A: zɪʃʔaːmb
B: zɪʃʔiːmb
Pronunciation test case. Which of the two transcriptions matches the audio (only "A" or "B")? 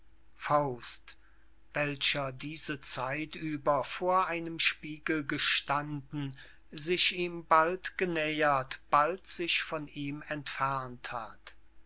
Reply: B